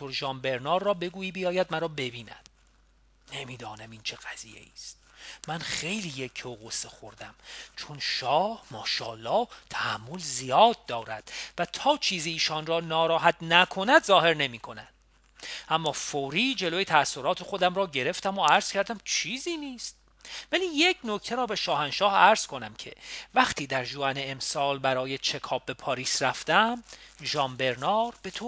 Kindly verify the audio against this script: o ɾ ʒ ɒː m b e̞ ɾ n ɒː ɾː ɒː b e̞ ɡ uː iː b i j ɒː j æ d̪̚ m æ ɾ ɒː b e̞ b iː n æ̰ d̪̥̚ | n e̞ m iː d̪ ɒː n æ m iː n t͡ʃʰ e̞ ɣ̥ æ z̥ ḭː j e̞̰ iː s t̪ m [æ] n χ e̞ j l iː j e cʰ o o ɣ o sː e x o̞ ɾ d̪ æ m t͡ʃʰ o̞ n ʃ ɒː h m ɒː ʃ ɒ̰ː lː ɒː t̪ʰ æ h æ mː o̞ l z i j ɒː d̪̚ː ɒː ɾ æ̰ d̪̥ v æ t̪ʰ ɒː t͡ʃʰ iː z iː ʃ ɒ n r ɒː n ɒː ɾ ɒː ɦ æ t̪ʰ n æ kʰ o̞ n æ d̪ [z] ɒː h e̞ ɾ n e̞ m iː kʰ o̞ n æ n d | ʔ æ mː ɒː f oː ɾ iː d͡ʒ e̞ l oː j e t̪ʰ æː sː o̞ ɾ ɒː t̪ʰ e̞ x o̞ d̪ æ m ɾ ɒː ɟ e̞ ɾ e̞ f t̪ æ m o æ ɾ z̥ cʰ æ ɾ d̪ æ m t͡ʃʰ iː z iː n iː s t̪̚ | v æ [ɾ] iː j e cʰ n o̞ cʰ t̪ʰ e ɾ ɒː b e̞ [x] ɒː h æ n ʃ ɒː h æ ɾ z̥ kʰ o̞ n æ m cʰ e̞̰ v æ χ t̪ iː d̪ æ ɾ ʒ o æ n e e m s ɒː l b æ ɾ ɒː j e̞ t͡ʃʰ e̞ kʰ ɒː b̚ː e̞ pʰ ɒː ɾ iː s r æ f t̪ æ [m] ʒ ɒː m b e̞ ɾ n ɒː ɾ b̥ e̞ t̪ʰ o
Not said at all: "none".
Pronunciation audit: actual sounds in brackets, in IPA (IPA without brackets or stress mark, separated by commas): æ, z, l, ʃ, m